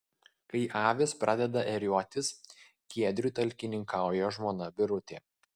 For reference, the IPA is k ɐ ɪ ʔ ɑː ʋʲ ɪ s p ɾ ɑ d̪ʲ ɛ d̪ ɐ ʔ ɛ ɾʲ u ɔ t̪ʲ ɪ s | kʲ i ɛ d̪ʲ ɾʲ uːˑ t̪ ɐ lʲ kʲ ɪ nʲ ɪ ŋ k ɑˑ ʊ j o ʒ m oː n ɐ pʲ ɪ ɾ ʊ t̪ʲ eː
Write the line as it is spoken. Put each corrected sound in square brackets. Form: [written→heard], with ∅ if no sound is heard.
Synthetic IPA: k ɐ ɪ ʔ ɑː ʋʲ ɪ s p ɾ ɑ d̪ʲ ɛ d̪ ɐ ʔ ɛ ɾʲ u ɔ t̪ʲ ɪ s | kʲ i ɛ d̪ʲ ɾʲ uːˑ t̪ ɐ lʲ kʲ ɪ nʲ ɪ ŋ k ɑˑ ʊ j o ʒ m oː n ɐ [pʲ→bʲ] ɪ ɾ ʊ t̪ʲ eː